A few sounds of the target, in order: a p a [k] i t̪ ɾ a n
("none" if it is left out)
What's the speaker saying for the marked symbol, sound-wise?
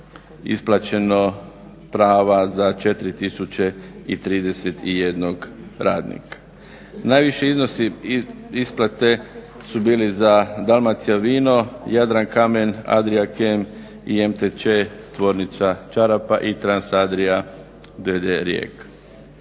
ʔ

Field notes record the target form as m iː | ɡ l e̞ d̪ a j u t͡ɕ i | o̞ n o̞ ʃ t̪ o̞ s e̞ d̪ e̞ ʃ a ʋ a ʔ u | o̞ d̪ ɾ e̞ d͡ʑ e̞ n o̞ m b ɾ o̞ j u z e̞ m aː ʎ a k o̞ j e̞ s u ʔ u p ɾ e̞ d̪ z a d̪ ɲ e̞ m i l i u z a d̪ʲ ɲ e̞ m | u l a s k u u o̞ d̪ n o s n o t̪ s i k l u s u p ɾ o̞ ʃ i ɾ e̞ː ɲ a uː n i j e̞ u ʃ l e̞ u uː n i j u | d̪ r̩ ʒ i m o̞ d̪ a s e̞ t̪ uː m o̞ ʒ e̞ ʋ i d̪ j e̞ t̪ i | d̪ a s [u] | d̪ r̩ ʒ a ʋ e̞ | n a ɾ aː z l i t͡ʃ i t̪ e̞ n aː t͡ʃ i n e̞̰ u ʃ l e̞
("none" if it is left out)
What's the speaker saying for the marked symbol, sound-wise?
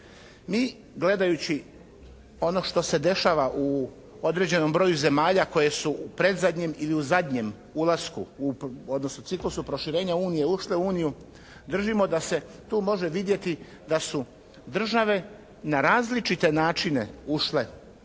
u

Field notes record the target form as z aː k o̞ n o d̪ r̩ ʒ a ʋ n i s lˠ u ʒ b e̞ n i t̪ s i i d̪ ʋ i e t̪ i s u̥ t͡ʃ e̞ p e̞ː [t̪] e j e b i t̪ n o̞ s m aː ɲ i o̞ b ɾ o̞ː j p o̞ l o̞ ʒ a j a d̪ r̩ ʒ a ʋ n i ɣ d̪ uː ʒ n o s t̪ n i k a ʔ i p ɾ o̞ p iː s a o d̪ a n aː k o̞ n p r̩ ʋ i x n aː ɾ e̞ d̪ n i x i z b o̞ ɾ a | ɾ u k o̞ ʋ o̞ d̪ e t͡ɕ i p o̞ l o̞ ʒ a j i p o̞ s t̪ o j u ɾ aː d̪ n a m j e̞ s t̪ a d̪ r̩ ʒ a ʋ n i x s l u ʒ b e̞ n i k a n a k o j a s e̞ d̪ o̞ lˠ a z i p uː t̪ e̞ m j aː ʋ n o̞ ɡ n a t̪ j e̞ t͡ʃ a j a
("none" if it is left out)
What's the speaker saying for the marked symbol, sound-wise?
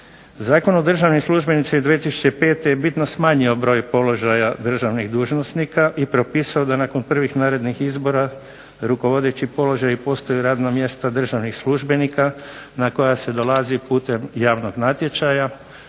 t̪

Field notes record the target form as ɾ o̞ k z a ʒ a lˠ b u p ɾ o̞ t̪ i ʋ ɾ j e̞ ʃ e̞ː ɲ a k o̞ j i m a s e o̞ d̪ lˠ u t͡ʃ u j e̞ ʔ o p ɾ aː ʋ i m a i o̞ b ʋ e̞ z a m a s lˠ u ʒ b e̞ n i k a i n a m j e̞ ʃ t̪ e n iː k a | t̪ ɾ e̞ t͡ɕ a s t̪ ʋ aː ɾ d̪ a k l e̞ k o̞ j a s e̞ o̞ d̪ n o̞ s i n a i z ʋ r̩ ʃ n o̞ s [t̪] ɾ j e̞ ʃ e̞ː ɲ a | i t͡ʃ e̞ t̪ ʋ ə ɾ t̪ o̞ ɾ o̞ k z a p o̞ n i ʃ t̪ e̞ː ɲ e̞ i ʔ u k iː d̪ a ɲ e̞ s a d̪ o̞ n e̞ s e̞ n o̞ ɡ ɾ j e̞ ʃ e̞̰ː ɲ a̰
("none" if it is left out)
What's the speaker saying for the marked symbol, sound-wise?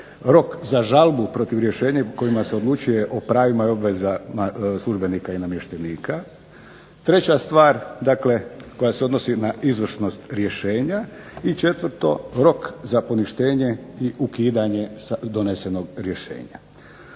t̪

